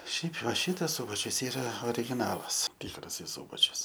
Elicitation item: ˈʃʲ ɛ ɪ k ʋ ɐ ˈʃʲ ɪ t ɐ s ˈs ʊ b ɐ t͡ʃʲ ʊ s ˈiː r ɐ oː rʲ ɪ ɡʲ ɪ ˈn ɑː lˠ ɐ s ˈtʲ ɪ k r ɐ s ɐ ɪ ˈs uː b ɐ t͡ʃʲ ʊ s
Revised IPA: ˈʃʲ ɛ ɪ p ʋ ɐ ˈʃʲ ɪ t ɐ s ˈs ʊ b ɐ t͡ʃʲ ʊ s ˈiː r ɐ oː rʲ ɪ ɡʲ ɪ ˈn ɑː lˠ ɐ s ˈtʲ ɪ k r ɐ s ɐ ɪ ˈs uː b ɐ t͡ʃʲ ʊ s